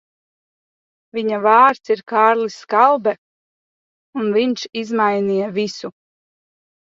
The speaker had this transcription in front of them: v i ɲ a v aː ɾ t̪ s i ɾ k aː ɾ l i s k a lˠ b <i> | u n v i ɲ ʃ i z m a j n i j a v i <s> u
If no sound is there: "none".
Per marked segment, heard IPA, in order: ɛ, s

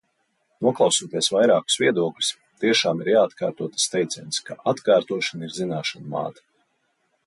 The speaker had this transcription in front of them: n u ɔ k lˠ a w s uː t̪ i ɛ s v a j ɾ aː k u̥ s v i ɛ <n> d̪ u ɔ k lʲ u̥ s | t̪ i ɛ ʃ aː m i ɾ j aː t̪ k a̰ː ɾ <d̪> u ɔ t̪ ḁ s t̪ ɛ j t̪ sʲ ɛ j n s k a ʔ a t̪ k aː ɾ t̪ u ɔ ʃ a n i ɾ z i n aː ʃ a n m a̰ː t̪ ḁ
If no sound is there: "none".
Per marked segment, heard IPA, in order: none, t̪

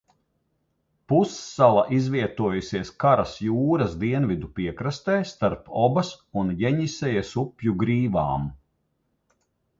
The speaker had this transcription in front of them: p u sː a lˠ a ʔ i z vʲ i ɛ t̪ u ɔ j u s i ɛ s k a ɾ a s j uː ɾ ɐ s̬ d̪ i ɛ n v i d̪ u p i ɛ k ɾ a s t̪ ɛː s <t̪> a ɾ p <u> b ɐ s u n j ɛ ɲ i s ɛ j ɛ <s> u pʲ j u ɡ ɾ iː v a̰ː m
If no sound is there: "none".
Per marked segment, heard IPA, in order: t̪, ɔ, s

